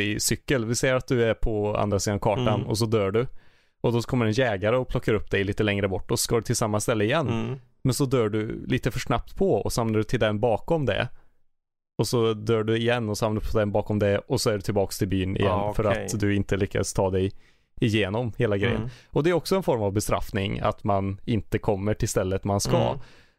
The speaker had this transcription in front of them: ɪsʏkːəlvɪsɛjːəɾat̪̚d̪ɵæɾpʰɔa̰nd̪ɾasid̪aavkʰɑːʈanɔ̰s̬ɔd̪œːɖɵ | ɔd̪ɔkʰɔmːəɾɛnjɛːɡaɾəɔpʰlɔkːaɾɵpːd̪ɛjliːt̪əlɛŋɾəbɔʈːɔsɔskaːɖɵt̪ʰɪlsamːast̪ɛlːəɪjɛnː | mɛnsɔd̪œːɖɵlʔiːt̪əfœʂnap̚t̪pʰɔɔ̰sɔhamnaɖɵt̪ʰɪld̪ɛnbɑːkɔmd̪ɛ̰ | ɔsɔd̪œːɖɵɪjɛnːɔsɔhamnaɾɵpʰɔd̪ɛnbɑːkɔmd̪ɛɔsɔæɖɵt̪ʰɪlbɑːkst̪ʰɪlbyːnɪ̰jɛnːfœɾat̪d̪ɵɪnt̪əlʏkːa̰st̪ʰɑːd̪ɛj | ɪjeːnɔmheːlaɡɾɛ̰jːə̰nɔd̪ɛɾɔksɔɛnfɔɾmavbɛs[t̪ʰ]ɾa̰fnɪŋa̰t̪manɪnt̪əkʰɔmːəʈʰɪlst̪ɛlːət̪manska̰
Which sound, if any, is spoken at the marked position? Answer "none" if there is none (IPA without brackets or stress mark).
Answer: t̪